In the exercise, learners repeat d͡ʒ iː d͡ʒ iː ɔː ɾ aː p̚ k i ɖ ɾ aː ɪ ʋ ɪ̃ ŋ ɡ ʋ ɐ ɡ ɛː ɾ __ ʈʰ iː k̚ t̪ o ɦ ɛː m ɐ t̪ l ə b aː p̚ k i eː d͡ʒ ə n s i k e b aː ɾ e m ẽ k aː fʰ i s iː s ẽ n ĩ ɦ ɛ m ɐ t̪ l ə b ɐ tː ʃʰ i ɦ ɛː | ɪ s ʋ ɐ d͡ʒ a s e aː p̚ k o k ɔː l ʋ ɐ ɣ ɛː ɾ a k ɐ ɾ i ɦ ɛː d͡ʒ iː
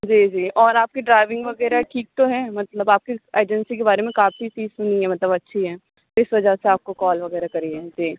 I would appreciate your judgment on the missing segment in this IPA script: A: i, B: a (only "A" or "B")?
B